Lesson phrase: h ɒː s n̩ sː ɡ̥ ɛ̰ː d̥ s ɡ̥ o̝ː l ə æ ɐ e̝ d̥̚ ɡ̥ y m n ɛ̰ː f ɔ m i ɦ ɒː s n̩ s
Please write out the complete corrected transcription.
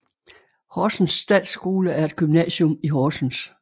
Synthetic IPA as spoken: h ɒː s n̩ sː d̥ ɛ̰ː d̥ s ɡ̥ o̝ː l ə æ ɐ e̝ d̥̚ ɡ̥ y m n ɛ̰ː ɕ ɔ m i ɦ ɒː s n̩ s